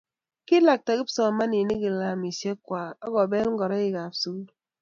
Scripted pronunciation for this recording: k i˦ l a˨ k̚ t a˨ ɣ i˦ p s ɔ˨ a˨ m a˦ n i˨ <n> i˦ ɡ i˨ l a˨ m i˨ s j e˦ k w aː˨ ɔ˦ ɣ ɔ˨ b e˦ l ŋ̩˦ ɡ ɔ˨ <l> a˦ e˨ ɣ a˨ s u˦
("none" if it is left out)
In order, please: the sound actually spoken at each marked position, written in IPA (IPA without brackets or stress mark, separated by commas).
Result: n, ɾ